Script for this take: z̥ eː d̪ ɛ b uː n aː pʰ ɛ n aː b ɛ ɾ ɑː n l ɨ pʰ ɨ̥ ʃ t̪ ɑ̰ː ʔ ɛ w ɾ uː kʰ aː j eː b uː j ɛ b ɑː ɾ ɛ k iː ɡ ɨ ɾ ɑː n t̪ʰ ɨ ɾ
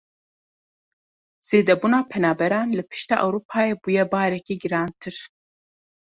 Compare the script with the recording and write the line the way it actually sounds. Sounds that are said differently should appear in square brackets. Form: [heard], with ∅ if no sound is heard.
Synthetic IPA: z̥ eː d̪ ɛ b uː n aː pʰ ɛ n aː b ɛ ɾ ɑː n l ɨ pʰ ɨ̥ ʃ t̪ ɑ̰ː ʔ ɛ w ɾ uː [pʰ] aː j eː b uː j ɛ b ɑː ɾ ɛ k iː ɡ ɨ ɾ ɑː n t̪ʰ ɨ ɾ